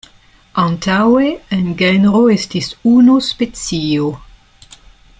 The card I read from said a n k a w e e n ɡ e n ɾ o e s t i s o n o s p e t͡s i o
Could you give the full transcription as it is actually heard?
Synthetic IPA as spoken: a n t a w e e n ɡ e n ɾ o e s t i s u n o s p e t͡s i o